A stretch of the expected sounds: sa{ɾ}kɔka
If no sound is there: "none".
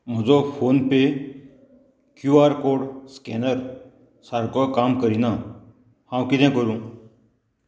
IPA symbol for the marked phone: ɾ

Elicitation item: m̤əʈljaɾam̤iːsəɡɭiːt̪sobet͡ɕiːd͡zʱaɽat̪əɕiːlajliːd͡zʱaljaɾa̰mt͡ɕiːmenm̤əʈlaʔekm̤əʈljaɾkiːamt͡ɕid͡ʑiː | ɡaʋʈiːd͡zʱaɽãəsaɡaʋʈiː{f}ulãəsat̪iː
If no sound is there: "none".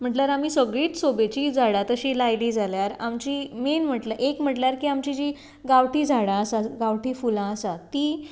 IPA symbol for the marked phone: f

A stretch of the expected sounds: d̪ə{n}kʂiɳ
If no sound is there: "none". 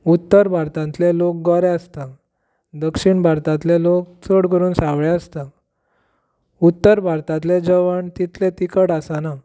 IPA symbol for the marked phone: none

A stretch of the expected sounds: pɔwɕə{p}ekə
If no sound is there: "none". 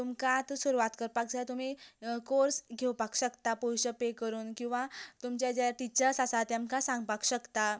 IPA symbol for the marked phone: p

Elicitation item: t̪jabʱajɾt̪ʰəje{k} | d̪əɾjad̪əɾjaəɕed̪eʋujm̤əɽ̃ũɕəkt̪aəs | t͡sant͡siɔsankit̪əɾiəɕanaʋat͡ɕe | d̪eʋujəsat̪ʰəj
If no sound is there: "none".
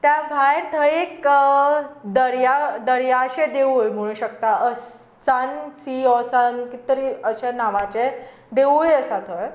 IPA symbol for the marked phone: k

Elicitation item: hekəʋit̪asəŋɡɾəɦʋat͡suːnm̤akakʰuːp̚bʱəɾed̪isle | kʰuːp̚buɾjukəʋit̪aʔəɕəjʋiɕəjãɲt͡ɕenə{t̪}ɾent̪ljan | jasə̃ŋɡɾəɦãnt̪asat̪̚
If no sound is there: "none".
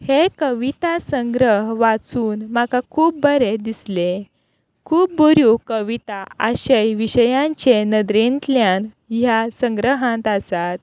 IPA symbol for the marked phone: d̪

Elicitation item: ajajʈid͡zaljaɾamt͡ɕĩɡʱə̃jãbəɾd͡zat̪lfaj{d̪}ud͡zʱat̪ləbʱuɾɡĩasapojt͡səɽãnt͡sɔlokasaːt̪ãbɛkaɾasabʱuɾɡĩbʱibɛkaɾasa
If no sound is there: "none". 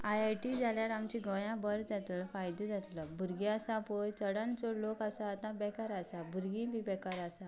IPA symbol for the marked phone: d̪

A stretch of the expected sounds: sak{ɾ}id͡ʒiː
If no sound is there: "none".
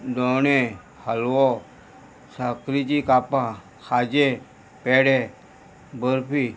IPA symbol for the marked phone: ɾ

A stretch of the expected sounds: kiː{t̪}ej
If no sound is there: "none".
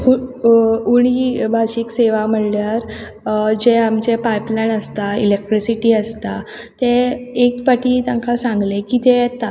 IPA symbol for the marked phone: t̪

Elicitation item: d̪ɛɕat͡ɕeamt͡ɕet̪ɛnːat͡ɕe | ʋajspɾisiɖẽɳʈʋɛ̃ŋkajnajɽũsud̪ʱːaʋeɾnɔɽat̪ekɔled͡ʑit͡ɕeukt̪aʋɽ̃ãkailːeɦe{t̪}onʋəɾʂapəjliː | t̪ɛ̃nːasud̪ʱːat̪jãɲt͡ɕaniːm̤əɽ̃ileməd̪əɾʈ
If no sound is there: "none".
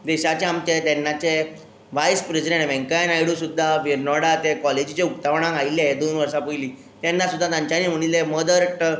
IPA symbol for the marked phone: d̪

